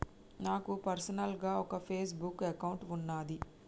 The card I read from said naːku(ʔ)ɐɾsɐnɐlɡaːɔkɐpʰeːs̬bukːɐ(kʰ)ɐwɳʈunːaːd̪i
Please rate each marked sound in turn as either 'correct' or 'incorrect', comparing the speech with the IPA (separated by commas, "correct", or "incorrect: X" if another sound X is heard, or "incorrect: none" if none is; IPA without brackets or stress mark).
incorrect: p, incorrect: k